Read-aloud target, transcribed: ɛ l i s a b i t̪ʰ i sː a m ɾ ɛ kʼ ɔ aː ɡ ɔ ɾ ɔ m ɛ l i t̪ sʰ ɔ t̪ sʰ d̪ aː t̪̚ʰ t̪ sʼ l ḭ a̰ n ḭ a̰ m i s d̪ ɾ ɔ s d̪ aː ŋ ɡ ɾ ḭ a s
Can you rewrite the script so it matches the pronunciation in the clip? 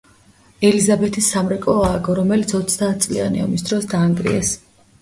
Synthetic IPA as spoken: ɛ l i z a b ɛ t̪ʰ i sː a m ɾ ɛ kʼ ɔ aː ɡ ɔ ɾ ɔ m ɛ l i t̪ sʰ ɔ t̪ sʰ d̪ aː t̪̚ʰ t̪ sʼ l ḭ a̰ n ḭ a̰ m i s d̪ ɾ ɔ s d̪ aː ŋ ɡ ɾ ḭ ɛ s